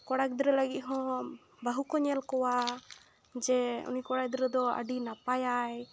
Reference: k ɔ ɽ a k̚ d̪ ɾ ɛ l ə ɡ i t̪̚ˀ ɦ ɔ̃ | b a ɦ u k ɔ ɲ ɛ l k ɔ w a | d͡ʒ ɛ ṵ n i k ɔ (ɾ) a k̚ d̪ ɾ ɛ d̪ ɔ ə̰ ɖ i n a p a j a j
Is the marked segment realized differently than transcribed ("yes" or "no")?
yes